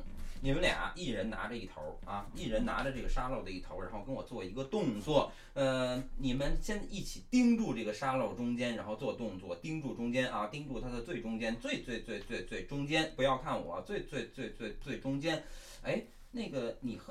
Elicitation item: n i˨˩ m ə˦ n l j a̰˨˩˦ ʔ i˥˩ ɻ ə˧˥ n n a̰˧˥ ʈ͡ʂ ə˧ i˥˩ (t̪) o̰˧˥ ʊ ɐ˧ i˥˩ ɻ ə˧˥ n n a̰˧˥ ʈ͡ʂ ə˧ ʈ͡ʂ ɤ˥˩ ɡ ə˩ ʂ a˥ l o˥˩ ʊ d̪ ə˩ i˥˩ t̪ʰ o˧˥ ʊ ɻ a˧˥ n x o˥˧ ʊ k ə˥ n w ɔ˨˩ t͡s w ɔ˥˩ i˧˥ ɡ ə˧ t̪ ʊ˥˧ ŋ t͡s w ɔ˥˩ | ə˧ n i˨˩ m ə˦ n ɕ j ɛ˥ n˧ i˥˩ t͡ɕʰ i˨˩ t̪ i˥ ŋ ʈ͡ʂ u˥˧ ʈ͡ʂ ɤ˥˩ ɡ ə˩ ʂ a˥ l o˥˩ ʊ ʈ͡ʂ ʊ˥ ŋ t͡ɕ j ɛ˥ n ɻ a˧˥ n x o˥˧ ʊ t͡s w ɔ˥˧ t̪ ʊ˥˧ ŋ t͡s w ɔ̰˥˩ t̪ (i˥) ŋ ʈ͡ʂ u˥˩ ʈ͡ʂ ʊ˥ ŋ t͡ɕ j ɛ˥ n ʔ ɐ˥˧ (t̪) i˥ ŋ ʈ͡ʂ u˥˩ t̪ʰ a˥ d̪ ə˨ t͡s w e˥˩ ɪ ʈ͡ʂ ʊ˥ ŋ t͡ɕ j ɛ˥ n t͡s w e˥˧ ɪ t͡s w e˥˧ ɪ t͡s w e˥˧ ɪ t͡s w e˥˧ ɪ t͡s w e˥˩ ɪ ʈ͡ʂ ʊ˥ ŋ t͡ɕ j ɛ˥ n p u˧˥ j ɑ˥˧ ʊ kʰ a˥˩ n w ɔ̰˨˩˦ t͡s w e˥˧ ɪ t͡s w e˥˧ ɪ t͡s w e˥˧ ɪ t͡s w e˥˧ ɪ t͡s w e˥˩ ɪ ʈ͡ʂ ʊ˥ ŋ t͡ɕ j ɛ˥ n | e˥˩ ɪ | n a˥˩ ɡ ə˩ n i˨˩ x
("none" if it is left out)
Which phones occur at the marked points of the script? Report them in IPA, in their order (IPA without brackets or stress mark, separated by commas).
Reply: t̪ʰ, i˥, t̪